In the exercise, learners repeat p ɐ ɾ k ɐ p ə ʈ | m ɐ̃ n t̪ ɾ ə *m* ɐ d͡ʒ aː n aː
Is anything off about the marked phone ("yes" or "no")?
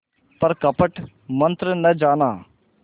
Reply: yes